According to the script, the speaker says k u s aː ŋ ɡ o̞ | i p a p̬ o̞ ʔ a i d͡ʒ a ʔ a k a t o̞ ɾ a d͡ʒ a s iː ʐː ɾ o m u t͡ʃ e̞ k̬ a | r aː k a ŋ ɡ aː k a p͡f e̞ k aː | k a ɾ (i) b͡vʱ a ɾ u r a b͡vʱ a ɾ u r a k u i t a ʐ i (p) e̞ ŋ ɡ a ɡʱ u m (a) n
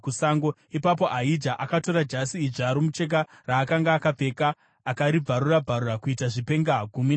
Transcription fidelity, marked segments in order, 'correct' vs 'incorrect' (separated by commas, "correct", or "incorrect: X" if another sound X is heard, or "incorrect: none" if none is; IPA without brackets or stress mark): correct, correct, incorrect: i